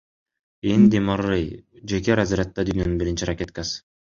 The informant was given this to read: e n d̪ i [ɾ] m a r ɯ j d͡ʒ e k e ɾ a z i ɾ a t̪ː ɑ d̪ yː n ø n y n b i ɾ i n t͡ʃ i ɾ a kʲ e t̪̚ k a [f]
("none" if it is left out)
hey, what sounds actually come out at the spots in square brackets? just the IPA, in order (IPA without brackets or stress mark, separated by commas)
none, s